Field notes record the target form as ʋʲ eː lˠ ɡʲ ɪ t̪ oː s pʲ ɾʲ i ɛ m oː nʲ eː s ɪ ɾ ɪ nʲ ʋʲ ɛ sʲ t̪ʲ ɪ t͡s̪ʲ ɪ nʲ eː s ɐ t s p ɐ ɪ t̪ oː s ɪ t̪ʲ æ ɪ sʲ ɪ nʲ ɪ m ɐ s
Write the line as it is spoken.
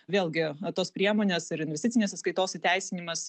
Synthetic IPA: ʋʲ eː lˠ ɡʲ ɪ t̪ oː s pʲ ɾʲ i ɛ m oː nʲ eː s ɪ ɾ ɪ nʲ ʋʲ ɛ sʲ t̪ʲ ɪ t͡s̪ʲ ɪ nʲ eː s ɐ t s k ɐ ɪ t̪ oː s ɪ t̪ʲ æ ɪ sʲ ɪ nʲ ɪ m ɐ s